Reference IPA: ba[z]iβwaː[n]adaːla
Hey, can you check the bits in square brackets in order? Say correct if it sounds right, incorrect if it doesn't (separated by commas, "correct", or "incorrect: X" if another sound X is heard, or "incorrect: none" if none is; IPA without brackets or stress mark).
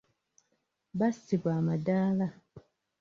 incorrect: s, incorrect: m